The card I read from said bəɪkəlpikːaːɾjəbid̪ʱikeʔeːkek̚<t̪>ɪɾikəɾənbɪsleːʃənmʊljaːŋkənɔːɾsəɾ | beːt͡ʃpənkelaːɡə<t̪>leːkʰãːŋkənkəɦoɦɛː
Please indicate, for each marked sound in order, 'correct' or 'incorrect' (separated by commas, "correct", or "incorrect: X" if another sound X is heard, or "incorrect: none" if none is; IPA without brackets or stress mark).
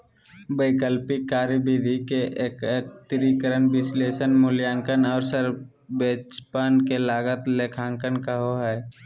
correct, correct